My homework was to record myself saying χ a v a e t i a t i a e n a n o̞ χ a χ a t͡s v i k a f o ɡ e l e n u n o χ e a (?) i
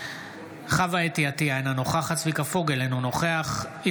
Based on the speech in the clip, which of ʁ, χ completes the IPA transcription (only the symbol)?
χ